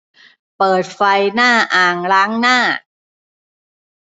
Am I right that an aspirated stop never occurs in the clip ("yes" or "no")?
yes